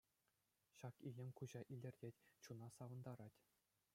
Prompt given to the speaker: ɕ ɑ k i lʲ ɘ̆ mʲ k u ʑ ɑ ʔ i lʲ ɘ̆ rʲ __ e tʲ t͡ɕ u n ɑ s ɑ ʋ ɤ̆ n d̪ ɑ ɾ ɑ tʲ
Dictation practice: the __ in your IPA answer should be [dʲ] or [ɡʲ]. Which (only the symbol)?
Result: dʲ